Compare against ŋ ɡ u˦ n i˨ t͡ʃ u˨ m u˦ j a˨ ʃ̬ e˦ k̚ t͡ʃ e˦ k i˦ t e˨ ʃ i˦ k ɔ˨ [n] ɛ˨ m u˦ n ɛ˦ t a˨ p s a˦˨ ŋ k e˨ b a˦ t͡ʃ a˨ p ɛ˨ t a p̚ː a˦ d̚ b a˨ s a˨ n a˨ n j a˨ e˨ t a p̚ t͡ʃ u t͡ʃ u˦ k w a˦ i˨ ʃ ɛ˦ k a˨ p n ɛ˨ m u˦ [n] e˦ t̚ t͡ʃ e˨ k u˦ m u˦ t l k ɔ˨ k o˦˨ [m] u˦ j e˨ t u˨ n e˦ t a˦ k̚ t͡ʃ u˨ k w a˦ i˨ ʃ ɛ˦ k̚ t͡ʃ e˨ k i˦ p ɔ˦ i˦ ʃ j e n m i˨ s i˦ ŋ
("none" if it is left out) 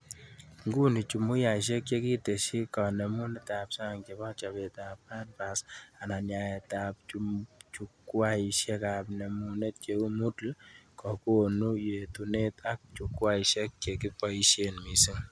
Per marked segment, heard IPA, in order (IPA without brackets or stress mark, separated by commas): n, n, n